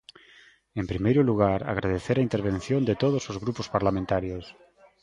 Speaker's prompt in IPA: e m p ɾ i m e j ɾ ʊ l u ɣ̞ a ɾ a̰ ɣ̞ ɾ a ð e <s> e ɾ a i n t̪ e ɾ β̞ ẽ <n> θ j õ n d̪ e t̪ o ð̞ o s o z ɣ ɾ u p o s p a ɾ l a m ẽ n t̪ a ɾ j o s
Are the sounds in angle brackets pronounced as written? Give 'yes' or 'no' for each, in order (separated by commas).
no, yes